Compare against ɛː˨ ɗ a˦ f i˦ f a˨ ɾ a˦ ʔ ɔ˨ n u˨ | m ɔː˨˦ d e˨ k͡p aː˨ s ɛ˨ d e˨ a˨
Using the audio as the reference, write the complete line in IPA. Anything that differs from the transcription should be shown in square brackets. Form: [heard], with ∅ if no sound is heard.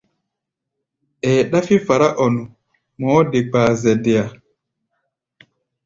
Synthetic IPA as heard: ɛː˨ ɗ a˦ f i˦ f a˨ ɾ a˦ ʔ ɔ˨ n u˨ | m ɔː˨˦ d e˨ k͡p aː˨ [z] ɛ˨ d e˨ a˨